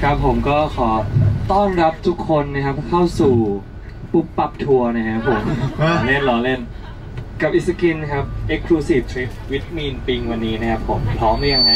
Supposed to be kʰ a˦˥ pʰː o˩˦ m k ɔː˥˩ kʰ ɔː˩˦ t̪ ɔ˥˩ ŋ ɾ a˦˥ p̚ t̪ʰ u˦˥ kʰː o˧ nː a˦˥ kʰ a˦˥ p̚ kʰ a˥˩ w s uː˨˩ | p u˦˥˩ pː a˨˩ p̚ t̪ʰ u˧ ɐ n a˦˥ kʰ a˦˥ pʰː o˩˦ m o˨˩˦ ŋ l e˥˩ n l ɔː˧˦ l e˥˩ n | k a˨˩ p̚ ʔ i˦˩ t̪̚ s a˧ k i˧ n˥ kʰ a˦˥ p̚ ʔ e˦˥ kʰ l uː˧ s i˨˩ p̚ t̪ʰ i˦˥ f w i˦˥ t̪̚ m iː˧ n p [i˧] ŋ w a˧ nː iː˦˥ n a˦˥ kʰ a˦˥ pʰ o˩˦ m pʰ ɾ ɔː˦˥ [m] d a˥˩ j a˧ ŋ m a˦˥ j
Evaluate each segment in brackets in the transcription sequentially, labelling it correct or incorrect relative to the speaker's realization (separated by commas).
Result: correct, correct